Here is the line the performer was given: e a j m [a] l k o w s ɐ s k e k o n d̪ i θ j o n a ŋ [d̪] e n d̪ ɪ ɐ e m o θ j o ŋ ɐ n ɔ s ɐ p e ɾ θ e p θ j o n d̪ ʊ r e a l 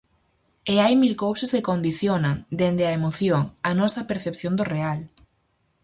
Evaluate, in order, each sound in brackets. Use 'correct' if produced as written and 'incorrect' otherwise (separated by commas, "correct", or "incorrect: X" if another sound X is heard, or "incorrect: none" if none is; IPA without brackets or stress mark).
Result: incorrect: i, correct